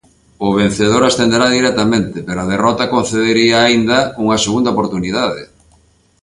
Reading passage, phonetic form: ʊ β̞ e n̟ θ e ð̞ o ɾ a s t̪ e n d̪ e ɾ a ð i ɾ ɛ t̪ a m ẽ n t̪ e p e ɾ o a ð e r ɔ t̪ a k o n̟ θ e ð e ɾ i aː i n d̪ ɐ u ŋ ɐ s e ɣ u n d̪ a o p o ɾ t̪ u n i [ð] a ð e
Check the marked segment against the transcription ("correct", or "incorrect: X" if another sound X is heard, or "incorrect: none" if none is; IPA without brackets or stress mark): correct